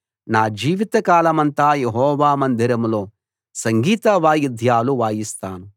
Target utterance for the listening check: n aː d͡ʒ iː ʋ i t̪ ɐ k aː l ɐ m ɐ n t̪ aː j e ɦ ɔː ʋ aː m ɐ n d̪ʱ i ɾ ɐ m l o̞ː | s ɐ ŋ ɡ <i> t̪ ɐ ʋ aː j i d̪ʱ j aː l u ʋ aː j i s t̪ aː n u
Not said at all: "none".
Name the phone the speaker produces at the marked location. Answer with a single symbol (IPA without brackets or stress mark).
iː